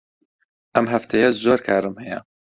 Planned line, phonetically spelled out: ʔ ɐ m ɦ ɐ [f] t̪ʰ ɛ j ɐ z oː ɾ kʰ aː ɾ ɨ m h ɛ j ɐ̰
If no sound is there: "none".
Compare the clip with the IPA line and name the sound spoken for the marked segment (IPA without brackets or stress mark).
f